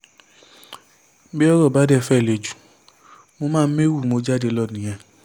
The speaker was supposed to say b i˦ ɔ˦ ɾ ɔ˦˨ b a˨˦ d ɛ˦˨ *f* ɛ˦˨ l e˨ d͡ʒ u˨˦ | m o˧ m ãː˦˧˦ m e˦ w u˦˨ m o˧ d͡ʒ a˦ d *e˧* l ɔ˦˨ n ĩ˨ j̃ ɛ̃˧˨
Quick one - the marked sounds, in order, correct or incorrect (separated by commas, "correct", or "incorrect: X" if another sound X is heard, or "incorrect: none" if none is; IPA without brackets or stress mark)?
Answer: correct, correct